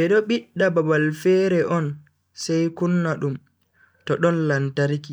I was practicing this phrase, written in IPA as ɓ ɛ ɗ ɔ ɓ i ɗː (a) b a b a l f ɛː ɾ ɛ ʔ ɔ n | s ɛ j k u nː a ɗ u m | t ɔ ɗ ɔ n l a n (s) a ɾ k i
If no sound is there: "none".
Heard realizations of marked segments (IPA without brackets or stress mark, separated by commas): a, t